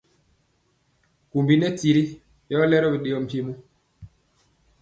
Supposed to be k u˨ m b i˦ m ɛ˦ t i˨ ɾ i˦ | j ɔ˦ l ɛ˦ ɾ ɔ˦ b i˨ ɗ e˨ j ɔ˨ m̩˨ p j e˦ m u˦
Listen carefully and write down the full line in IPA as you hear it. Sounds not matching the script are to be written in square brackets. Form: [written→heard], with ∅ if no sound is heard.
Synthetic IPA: k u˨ m b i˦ [m→n] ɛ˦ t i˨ ɾ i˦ | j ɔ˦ l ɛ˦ ɾ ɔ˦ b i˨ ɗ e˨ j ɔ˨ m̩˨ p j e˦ m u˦